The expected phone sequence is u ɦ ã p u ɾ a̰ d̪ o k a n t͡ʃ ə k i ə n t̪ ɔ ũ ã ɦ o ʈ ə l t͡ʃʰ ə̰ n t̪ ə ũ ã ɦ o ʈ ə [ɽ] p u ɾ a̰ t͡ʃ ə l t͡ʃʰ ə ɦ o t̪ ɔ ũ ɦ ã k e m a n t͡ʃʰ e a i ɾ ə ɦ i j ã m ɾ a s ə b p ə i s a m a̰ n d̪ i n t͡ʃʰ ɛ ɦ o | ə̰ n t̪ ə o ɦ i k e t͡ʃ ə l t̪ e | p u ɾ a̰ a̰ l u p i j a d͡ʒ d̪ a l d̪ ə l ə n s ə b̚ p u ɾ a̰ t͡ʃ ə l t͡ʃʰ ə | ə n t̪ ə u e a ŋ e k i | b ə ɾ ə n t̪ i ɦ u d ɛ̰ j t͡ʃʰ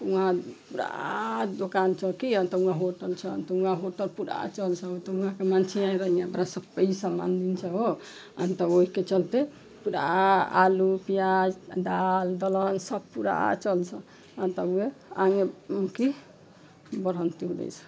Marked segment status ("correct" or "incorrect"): incorrect